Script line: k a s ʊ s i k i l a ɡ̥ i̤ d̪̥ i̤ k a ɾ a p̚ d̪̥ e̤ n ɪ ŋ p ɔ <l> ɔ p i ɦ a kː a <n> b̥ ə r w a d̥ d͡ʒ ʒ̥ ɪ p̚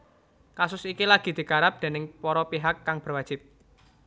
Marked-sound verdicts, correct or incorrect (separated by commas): incorrect, incorrect